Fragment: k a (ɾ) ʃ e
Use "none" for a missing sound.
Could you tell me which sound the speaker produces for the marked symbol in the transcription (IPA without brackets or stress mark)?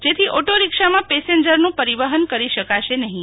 none